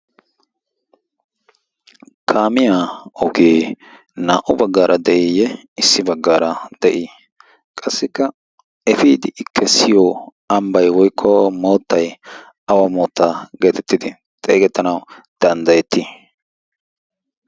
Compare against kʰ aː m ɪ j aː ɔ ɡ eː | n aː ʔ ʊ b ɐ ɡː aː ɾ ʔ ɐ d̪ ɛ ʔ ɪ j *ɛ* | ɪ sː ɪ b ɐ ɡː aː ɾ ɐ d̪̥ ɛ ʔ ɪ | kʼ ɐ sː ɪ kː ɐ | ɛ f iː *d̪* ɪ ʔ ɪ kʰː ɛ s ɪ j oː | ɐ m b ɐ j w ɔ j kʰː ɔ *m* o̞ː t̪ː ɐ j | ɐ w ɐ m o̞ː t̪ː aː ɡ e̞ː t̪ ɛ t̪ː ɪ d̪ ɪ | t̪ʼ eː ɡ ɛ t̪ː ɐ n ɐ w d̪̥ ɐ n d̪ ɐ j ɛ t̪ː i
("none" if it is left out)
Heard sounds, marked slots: ɛ, d̪, m

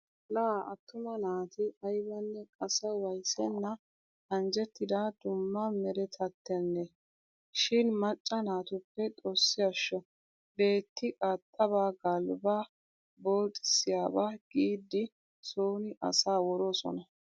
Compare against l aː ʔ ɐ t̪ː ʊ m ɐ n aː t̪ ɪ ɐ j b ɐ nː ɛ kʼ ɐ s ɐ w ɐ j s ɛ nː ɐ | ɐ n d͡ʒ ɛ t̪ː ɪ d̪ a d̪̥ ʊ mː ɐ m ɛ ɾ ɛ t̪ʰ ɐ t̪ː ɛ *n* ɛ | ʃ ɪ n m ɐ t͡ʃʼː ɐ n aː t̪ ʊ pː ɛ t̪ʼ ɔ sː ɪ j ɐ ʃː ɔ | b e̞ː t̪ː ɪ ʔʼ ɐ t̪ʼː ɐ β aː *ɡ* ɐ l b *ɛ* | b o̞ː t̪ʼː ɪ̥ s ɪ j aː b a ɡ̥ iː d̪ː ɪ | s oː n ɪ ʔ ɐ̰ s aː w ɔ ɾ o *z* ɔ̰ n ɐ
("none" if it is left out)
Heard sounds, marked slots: nː, ɡ, a, s

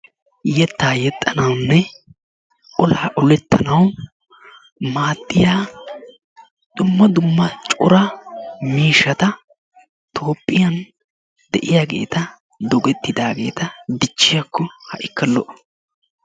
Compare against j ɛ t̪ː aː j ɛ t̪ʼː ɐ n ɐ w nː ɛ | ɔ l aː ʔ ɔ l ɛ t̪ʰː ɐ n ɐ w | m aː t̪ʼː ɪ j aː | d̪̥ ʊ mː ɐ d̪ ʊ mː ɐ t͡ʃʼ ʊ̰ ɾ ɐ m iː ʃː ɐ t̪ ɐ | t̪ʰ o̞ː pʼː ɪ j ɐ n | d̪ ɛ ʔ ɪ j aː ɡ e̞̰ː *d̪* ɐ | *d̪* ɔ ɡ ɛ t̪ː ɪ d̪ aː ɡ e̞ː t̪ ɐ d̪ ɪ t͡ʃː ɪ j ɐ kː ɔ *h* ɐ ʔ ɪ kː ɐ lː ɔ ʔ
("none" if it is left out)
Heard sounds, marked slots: t̪, d̪, h

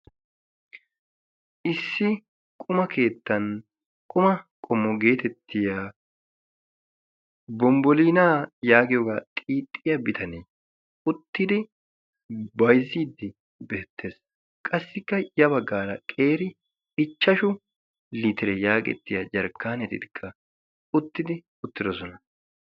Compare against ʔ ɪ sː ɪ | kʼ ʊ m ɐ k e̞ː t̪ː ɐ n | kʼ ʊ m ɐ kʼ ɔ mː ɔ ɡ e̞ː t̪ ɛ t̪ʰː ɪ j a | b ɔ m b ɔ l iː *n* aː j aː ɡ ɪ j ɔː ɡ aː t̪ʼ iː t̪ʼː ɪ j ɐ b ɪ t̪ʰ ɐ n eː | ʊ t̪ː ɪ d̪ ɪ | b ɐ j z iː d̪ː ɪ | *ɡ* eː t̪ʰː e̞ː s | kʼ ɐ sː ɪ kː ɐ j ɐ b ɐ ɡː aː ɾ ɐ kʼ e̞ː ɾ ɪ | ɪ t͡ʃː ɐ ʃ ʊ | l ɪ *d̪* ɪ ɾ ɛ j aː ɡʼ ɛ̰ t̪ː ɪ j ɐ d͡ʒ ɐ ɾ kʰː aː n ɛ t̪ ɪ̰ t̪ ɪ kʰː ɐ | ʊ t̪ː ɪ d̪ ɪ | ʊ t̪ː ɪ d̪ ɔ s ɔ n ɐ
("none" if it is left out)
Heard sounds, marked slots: n, b, t̪

